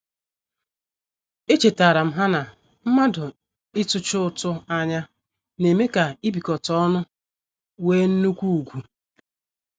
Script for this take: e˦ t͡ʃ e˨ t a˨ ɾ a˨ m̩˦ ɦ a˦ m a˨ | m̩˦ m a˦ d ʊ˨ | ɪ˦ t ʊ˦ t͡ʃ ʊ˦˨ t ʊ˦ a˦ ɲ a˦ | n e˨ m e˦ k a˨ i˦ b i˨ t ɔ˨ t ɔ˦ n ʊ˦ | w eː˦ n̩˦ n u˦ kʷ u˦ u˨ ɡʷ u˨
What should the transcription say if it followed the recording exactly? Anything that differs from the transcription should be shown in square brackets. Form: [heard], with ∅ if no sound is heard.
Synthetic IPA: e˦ t͡ʃ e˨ t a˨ ɾ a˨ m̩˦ ɦ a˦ [n] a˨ | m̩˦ m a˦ d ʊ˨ | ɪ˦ t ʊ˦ t͡ʃ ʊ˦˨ t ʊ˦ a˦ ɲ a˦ | n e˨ m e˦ k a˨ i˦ b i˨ [k] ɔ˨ t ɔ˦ n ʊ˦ | w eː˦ n̩˦ n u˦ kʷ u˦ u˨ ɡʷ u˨